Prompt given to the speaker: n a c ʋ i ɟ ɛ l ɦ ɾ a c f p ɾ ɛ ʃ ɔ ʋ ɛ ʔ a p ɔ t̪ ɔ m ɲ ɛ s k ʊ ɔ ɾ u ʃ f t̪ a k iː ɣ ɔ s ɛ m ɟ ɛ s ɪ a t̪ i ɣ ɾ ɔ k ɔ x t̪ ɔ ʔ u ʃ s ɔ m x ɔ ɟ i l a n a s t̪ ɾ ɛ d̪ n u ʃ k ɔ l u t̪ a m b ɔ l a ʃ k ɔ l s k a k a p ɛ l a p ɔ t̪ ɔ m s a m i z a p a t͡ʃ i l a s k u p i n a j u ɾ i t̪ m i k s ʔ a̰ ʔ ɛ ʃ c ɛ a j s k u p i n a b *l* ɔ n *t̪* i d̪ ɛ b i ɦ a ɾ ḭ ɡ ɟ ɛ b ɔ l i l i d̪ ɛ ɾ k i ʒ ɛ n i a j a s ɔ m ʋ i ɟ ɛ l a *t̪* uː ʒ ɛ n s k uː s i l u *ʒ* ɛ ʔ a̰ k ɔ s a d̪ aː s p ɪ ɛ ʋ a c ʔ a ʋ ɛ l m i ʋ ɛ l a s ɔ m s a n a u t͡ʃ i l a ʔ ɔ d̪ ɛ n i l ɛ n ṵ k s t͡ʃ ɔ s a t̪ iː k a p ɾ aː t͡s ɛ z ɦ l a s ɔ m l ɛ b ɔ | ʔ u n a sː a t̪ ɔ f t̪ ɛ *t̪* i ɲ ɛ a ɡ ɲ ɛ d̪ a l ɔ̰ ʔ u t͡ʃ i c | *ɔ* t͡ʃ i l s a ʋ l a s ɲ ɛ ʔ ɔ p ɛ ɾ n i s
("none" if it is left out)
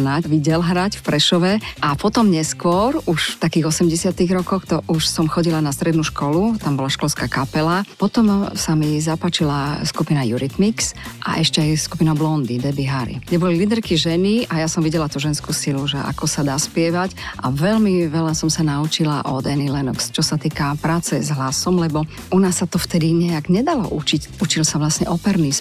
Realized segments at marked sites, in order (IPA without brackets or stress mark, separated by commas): l, d̪, t̪, ʒ, d̪, u